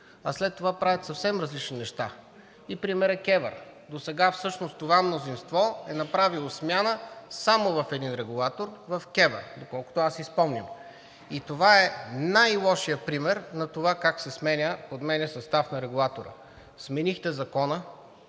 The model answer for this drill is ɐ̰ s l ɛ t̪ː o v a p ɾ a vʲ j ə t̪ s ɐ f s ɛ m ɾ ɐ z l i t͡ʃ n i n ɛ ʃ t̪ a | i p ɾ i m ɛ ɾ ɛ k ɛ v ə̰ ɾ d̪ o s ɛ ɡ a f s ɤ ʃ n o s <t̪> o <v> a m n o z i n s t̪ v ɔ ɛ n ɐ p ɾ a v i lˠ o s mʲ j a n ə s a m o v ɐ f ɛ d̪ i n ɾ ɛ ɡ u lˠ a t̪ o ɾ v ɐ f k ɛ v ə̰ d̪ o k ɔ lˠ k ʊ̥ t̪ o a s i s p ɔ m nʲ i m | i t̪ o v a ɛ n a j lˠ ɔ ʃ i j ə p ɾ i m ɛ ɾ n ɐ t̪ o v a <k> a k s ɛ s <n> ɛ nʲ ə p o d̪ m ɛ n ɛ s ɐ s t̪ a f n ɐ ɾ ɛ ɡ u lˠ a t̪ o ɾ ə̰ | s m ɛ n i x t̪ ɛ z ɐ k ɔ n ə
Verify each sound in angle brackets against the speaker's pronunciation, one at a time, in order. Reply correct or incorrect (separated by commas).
correct, correct, correct, incorrect